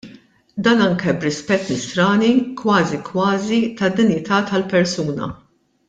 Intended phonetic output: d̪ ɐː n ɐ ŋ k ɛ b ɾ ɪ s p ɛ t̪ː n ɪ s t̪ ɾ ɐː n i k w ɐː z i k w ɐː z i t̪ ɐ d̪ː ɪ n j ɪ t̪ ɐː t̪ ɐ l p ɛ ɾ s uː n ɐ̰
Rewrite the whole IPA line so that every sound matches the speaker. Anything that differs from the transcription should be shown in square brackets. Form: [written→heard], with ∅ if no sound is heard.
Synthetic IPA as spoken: d̪ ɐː n ɐ ŋ k ɛ b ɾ ɪ s p ɛ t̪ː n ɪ s t̪ ɾ ɐː n i k w ɐː z i k w ɐː z i t̪ ɐ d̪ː ɪ n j ɪ t̪ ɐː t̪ ɐ l p ɛ ɾ s uː n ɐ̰

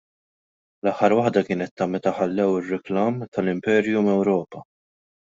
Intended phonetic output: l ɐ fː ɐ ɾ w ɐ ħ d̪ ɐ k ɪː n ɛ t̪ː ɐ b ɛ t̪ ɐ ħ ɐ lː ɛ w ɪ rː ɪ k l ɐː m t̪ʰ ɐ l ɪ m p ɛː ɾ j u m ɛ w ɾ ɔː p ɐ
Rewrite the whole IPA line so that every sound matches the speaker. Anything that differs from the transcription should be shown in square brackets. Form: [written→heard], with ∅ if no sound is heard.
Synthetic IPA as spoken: l ɐ [fː→ħː] ɐ ɾ w ɐ ħ d̪ ɐ k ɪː n ɛ t̪ː ɐ [b→m] ɛ t̪ ɐ ħ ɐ lː ɛ w ɪ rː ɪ k l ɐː m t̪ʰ ɐ l ɪ m p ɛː ɾ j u m ɛ w ɾ ɔː p ɐ

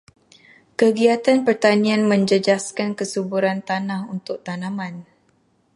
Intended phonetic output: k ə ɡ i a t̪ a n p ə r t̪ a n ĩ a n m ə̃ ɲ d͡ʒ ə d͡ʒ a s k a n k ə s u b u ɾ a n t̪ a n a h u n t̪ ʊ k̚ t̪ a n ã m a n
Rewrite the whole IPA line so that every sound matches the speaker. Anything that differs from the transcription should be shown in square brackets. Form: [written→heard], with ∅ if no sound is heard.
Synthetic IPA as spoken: k ə ɡ i a t̪ a n p ə r t̪ a n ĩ a n m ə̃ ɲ d͡ʒ ə d͡ʒ a s k a n k ə s u b u ɾ a n t̪ a n a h u n t̪ ʊ k̚ t̪ a n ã m a n

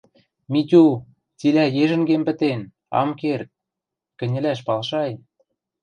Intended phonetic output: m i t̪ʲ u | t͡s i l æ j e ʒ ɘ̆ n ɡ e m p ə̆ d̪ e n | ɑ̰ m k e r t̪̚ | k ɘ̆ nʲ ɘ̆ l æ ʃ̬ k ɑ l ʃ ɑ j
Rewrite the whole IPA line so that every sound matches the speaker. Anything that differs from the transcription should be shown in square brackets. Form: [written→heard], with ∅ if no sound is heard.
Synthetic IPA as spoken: m i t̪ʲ u | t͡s i l æ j e ʒ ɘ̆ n ɡ e m p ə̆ [d̪→t̪] e n | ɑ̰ m k e r t̪̚ | k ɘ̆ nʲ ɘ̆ l æ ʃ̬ [k→p] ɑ l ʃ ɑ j

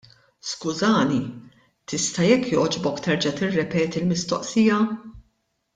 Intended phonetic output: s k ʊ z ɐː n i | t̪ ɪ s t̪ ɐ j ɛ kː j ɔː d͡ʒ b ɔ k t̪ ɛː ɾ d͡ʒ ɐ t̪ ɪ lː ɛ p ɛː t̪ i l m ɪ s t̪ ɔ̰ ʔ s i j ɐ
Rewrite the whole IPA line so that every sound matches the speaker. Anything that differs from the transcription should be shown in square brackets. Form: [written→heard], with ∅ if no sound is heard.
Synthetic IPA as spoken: s k ʊ z ɐː n i | t̪ ɪ s t̪ ɐ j ɛ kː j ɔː d͡ʒ b ɔ k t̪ [ɛː→ɛ] ɾ d͡ʒ ɐ t̪ ɪ [lː→rː] ɛ p ɛː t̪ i l m ɪ s t̪ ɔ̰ ʔ s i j ɐ

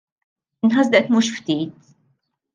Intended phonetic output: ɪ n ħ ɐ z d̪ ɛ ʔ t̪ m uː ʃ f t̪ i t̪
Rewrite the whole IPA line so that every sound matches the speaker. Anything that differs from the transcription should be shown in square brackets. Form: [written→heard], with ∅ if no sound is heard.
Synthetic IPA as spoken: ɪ n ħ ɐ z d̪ ɛ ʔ t̪ m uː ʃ f t̪ [i→iː] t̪

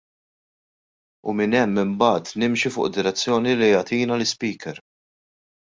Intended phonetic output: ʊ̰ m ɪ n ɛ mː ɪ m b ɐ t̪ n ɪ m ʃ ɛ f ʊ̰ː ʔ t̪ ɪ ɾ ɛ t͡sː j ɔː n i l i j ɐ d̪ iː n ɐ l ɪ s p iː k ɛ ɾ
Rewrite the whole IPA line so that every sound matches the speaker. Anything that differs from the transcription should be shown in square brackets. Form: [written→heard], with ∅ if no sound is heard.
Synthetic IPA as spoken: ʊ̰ m ɪ n ɛ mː ɪ m b [ɐ→ɐː] t̪ n ɪ m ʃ [ɛ→i] f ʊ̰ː ʔ [t̪→d̪] ɪ ɾ ɛ t͡sː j ɔː n i l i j ɐ [d̪→t̪] iː n ɐ l ɪ s p iː k ɛ ɾ

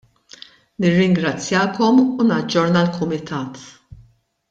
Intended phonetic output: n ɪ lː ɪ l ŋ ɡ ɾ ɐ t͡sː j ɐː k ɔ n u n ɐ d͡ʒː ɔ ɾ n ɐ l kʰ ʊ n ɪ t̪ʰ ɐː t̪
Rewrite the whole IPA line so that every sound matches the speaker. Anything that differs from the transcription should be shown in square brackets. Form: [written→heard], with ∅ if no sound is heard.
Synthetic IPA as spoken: n ɪ [lː→rː] ɪ [l→∅] ŋ ɡ ɾ ɐ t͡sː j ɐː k ɔ [n→m] u n ɐ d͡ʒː ɔ ɾ n ɐ l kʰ ʊ [n→m] ɪ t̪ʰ ɐː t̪

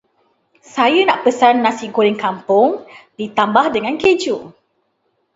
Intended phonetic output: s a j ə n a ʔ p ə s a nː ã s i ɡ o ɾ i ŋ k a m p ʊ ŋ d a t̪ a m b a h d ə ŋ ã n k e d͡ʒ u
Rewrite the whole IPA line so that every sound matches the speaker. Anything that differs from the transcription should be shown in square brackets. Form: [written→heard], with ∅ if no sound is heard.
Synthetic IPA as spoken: s a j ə n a ʔ p ə s a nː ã s i ɡ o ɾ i ŋ k a m p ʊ ŋ d [a→i] t̪ a m b a h d ə ŋ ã n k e d͡ʒ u

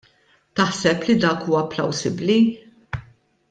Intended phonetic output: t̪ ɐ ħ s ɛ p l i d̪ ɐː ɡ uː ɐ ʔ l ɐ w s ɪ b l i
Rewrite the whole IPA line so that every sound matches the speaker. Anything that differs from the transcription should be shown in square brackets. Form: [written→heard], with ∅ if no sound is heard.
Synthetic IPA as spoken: t̪ ɐ ħ s ɛ p l i d̪ ɐː [ɡ→k] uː ɐ [ʔ→p] l ɐ w s ɪ b l i

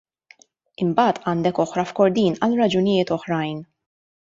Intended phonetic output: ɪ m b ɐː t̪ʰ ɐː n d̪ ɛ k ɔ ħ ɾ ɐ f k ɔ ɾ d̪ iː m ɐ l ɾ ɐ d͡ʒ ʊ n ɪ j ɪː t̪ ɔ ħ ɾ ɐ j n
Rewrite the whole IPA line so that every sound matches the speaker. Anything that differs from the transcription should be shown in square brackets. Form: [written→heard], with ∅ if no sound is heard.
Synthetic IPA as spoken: ɪ m b ɐː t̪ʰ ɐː n d̪ ɛ k ɔ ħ ɾ ɐ f k ɔ ɾ d̪ iː [m→n] ɐ l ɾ ɐ d͡ʒ ʊ n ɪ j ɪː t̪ ɔ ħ ɾ ɐ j n

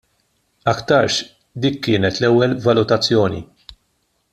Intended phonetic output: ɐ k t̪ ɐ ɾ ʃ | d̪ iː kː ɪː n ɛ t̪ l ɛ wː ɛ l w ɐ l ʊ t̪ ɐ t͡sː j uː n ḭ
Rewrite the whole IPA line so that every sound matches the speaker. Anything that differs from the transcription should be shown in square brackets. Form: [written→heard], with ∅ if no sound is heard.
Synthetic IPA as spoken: ɐ k t̪ ɐ ɾ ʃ | d̪ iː kː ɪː n ɛ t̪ l ɛ wː ɛ l [w→v] ɐ l ʊ t̪ ɐ t͡sː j [uː→ɔː] n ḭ

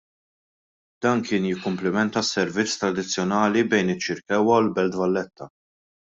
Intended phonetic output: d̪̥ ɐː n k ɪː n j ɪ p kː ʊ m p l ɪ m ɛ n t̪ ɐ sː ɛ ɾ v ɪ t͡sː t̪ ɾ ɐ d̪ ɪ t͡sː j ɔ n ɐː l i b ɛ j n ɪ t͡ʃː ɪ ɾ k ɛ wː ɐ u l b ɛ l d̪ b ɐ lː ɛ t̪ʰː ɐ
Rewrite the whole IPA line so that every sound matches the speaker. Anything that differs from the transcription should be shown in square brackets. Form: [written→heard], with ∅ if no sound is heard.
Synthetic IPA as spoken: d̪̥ ɐː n k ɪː n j ɪ [p→∅] kː ʊ m p l ɪ m ɛ n t̪ ɐ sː ɛ ɾ v ɪ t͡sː t̪ ɾ ɐ d̪ ɪ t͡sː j ɔ n ɐː l i b ɛ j n ɪ t͡ʃː ɪ ɾ k ɛ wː ɐ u l b ɛ l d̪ [b→v] ɐ lː ɛ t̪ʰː ɐ

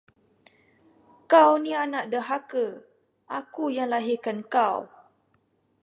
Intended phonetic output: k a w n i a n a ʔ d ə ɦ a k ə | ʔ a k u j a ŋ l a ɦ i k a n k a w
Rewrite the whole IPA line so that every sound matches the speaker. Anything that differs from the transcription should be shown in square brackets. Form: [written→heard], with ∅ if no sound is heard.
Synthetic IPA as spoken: k a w n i a n a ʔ d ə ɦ a k ə | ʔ a k u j a ŋ l a ɦ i k a n k a w

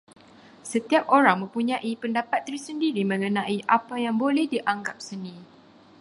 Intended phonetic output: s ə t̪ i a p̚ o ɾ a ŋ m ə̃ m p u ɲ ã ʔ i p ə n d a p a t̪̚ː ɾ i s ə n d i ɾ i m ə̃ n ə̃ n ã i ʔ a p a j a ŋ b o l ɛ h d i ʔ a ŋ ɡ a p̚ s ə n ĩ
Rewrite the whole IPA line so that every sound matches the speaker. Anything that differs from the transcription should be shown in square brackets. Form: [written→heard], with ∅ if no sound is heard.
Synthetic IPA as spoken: s ə t̪ i a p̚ o ɾ a ŋ m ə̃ m p u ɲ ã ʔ i p ə n d a p a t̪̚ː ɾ i s ə n d i ɾ i m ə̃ [n→ŋ] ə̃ n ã i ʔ a p a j a ŋ b o l ɛ h d i ʔ a ŋ ɡ a p̚ s ə n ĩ

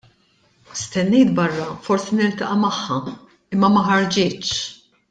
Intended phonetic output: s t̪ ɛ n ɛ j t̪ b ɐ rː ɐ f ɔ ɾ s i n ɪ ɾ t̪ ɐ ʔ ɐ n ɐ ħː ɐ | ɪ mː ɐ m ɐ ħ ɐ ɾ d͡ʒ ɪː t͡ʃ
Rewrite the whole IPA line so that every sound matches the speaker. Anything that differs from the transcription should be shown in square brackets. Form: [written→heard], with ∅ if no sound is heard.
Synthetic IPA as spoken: s t̪ ɛ [n→nː] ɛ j t̪ b ɐ rː ɐ f ɔ ɾ s i n ɪ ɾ t̪ ɐ ʔ ɐ [n→m] ɐ ħː ɐ | ɪ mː ɐ m ɐ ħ ɐ ɾ d͡ʒ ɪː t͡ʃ

